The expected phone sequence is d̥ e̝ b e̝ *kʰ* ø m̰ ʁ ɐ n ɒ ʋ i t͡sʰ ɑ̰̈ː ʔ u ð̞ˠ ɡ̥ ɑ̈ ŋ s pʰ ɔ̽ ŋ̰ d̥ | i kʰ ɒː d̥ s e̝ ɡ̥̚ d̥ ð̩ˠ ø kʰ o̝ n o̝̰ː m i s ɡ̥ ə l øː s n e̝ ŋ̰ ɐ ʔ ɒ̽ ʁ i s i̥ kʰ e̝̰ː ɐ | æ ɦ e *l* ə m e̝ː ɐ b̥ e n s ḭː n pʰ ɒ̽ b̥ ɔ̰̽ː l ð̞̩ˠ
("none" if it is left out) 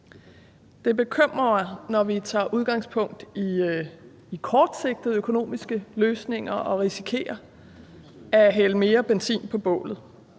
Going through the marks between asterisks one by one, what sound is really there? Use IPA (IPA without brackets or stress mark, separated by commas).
kʰ, l